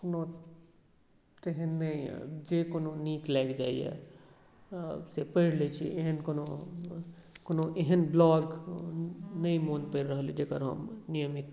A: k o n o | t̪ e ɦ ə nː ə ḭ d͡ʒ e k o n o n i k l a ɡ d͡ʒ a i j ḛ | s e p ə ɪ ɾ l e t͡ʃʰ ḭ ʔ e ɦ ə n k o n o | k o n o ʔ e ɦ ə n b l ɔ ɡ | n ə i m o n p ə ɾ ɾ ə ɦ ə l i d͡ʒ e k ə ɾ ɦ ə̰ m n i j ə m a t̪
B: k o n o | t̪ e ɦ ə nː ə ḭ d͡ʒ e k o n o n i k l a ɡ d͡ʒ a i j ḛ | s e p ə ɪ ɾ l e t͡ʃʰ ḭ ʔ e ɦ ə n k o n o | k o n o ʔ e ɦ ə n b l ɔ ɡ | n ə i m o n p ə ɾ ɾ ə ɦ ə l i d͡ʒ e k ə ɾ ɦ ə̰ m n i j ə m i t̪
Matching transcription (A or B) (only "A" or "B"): B